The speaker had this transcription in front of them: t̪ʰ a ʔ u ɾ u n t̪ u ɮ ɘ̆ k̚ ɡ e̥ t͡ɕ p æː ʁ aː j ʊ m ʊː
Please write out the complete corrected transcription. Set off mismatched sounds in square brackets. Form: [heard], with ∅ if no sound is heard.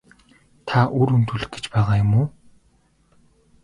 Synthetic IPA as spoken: t̪ʰ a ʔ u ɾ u n t̪ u ɮ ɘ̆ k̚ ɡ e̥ t͡ɕ p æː ʁ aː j ʊ m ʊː